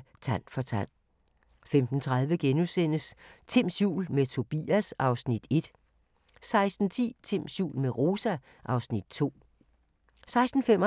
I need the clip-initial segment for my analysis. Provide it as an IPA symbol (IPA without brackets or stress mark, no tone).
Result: t͡sʰ